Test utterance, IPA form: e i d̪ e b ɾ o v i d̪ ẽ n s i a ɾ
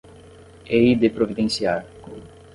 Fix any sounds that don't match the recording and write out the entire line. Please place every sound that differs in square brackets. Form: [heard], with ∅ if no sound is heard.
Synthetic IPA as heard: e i d̪ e [p] ɾ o v i d̪ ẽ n s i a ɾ